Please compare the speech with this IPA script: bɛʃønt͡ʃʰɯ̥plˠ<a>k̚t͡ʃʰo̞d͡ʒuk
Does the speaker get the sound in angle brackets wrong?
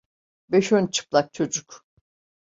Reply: no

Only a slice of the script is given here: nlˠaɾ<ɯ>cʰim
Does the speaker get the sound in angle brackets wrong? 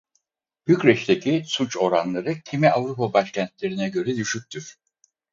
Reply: no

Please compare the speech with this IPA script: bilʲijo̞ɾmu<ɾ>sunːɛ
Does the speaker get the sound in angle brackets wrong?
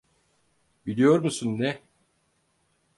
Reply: yes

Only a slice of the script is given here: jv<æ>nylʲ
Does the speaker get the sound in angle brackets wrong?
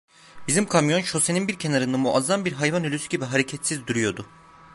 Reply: yes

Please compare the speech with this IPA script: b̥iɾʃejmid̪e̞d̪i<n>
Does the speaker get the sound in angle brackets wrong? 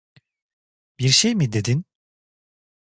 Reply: no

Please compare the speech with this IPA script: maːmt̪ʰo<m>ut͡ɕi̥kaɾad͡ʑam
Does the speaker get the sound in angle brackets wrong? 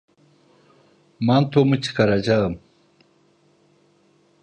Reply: no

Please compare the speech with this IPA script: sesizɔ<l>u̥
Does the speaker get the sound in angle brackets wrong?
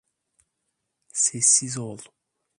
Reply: no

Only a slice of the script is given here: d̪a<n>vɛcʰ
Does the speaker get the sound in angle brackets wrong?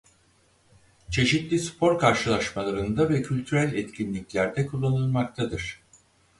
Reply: yes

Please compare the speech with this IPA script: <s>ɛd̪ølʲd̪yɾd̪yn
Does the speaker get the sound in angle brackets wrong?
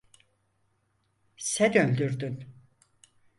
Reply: no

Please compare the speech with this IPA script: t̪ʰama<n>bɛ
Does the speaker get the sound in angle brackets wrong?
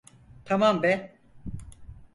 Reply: yes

